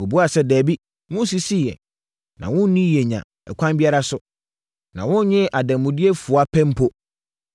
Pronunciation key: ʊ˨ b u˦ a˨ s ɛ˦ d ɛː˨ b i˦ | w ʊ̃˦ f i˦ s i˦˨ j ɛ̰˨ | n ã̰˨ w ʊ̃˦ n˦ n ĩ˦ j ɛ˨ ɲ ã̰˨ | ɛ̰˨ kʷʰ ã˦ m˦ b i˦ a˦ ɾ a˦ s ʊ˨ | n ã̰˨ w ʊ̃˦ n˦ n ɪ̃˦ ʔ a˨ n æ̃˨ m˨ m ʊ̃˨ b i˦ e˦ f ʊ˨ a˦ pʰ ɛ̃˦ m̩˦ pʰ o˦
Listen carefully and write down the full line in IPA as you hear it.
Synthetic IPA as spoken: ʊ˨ b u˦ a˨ s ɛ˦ d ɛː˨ b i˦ | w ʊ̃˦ s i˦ s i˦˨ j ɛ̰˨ | n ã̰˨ w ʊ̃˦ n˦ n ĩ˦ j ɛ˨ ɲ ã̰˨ | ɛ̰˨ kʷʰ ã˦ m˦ b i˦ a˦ ɾ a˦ s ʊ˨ | n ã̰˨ w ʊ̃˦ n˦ ɲ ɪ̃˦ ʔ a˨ d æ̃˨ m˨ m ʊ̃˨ d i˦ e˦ f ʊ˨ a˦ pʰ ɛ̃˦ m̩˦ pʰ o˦